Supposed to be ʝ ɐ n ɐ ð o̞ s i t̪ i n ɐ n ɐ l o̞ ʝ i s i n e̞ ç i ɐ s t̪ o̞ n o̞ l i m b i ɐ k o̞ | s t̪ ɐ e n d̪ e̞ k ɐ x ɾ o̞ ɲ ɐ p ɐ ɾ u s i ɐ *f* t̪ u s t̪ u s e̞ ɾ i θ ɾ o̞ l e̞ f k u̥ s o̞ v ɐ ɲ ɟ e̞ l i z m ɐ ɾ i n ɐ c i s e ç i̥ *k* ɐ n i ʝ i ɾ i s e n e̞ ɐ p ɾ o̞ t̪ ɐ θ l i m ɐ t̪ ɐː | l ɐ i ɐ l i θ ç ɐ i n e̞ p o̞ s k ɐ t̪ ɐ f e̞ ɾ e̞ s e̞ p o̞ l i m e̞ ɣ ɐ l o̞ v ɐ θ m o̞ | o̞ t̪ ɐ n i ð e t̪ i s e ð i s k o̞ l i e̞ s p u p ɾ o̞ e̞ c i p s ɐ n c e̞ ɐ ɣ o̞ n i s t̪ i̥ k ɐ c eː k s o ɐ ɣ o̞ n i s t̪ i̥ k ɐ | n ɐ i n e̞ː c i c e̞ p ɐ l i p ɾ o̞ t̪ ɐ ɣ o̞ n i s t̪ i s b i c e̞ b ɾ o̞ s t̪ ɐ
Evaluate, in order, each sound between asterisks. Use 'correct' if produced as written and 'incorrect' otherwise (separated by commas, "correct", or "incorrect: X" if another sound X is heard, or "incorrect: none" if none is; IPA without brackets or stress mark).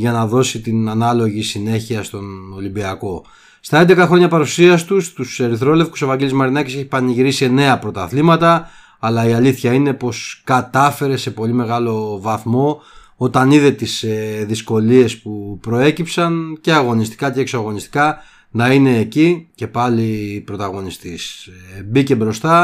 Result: incorrect: s, incorrect: p